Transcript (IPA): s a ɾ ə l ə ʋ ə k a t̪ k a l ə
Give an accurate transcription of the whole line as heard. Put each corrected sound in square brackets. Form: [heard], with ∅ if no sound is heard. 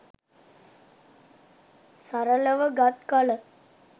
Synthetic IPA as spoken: s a ɾ ə l ə ʋ ə [ɡ] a t̪ k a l ə